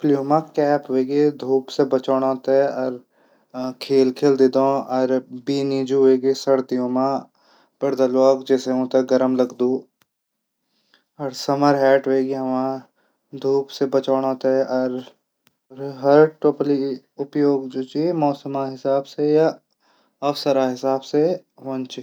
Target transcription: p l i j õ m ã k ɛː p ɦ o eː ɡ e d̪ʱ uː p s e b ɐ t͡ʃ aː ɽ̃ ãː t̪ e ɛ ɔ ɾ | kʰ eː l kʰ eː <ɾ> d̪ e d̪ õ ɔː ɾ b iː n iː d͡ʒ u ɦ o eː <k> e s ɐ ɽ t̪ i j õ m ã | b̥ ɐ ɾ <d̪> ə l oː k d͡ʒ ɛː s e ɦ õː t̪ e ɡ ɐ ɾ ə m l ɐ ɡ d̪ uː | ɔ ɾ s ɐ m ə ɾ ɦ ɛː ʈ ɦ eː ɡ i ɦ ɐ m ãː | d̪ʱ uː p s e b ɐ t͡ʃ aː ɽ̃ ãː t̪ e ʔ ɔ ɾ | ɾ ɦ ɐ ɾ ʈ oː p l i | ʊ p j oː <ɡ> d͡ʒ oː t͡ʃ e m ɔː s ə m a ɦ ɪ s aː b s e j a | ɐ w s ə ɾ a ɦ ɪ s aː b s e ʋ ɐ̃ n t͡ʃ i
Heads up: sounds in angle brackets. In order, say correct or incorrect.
incorrect, incorrect, correct, correct

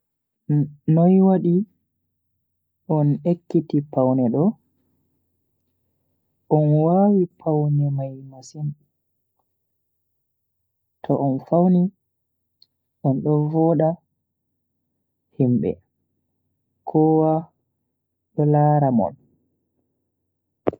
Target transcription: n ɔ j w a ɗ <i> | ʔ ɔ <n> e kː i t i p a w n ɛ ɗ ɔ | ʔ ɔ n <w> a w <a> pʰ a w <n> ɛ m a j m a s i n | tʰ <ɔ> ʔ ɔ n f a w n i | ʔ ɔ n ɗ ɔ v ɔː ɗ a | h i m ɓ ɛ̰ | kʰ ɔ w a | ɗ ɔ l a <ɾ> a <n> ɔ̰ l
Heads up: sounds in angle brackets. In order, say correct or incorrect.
correct, correct, correct, incorrect, correct, correct, correct, incorrect

